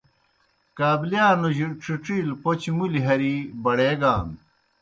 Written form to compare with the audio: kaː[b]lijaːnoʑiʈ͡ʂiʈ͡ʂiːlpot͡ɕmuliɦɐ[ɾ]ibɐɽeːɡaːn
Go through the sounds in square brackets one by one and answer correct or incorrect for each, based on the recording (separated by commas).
correct, correct